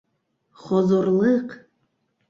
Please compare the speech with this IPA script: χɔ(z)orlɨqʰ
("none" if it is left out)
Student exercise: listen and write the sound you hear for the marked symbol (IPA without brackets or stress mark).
z